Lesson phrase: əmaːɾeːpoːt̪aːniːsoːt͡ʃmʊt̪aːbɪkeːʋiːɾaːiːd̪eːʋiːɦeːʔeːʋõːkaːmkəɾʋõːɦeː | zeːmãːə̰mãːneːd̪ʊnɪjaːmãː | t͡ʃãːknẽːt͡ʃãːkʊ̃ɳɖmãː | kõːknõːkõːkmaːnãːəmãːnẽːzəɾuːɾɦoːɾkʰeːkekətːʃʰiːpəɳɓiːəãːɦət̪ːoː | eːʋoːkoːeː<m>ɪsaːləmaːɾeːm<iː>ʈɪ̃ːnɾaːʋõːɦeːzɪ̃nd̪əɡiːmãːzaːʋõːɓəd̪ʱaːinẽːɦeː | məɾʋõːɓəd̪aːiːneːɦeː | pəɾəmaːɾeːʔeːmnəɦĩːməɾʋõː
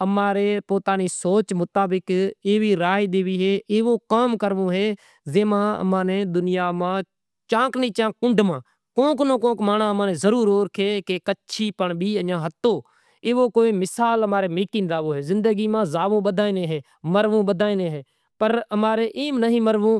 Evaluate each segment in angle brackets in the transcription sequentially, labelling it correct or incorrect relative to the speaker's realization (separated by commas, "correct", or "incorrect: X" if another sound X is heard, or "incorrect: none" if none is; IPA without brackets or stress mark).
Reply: correct, correct